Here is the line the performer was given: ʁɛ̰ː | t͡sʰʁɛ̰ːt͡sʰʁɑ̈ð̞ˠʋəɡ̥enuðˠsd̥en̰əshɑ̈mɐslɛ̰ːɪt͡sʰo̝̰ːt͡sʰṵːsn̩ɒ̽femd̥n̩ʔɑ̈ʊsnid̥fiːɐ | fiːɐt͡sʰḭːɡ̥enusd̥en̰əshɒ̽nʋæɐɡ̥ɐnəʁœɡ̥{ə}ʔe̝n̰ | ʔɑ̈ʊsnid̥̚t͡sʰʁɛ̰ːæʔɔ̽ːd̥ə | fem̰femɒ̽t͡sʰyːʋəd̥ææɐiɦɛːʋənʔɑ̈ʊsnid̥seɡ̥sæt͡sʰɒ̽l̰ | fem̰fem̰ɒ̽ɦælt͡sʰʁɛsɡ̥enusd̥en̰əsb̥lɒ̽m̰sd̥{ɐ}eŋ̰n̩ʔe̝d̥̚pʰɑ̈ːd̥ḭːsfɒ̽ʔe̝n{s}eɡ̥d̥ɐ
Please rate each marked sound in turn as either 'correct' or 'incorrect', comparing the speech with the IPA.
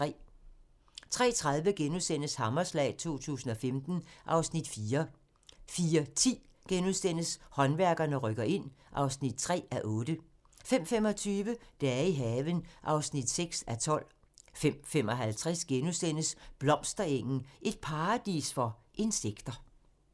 incorrect: ɐ, correct, correct

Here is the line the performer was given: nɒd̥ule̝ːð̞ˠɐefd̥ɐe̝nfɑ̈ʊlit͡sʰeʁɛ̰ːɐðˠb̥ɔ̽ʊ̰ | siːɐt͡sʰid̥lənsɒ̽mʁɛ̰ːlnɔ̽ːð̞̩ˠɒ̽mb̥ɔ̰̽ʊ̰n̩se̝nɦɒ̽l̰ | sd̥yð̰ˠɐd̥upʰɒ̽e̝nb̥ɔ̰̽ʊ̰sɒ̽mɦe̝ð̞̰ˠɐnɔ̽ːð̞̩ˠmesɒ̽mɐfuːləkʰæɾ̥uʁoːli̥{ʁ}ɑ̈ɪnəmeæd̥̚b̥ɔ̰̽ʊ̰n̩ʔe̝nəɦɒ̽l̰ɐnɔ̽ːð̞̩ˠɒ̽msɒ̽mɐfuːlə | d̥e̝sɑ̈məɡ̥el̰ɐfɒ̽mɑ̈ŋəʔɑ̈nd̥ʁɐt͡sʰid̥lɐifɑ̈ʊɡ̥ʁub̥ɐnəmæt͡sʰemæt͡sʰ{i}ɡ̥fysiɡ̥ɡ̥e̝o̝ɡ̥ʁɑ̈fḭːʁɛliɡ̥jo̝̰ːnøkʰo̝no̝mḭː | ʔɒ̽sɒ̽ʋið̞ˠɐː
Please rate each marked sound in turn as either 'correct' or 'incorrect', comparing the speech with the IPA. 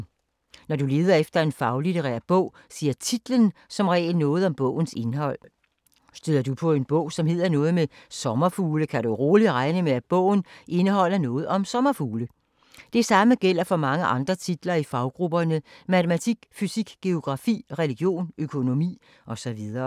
correct, correct

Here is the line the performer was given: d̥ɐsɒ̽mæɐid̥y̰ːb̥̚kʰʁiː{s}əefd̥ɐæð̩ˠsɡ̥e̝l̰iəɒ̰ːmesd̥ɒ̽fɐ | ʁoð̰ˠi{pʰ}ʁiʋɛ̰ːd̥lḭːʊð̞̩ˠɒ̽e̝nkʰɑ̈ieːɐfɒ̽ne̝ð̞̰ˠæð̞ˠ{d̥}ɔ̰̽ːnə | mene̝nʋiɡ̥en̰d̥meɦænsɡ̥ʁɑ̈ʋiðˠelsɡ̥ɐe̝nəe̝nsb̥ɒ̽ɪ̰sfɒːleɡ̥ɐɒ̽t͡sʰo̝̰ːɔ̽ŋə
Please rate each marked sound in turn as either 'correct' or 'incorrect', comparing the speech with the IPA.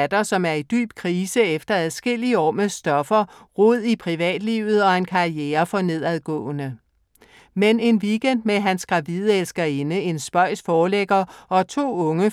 correct, correct, incorrect: ɡ̥

